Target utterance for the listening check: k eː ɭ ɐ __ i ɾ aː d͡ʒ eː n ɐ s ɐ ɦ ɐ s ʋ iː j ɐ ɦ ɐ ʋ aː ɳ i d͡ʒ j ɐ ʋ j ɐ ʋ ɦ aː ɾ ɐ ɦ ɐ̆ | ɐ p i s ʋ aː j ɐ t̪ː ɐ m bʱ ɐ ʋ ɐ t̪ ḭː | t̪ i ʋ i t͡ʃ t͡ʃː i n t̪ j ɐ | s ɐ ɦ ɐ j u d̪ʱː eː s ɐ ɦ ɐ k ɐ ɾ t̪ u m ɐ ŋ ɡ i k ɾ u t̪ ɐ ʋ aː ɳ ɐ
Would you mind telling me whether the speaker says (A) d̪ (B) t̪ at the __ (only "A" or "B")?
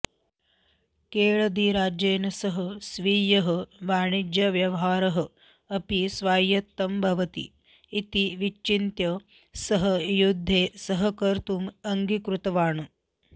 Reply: A